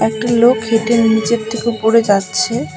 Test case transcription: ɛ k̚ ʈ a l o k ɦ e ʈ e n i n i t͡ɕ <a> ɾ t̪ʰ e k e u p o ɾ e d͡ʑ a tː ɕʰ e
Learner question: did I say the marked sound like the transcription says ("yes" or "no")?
no